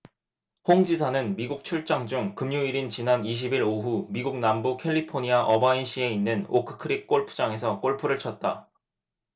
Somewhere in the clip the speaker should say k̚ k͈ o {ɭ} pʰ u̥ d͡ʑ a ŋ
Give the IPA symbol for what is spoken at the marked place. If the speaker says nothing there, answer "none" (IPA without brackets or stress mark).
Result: ɭ